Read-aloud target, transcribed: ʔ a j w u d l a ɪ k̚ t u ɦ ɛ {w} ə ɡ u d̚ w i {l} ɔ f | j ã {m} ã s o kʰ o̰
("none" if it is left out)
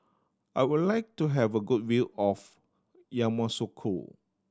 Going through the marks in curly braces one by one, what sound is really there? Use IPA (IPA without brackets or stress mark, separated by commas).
v, l, m